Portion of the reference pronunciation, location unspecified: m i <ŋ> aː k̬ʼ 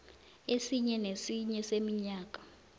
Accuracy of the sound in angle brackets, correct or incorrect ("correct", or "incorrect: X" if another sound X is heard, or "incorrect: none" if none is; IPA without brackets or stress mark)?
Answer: incorrect: ɲ